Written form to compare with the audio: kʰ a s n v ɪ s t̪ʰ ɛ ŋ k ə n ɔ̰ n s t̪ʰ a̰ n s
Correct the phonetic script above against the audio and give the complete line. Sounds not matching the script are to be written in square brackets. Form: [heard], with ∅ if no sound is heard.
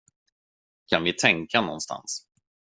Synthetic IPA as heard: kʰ a [∅] n v ɪ [∅] t̪ʰ ɛ ŋ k [a] n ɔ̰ n s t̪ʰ a̰ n s